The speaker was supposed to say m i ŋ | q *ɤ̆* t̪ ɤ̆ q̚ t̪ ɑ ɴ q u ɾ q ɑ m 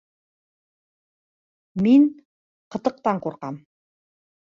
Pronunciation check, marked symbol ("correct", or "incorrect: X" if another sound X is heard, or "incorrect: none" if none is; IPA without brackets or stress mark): correct